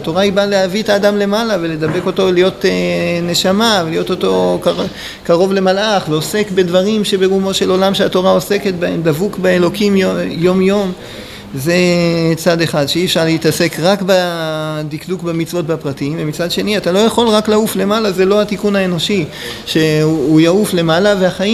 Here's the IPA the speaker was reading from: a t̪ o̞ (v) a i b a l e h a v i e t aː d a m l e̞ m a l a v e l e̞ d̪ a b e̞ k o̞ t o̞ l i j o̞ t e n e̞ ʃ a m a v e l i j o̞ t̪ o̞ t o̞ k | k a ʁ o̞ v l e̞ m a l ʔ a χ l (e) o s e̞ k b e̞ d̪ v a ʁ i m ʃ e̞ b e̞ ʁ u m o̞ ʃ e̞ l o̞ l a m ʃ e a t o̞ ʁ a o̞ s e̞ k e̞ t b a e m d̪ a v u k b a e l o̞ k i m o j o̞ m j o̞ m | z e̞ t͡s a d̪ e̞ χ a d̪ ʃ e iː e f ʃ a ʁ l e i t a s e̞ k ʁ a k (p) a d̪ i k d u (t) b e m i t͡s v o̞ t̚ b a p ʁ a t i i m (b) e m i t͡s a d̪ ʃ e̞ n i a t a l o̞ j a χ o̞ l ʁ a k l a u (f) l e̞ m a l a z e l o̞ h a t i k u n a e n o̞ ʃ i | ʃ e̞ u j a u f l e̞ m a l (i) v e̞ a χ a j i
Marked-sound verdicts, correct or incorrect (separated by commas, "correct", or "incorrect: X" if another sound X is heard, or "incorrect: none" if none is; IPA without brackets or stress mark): incorrect: ʁ, correct, incorrect: b, incorrect: k, incorrect: v, correct, incorrect: a